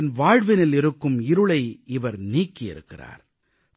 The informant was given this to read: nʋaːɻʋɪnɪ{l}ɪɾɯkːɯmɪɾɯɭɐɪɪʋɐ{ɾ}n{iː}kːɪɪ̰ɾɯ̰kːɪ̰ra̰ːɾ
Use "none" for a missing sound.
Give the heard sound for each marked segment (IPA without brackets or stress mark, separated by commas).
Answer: l, ɾ, iː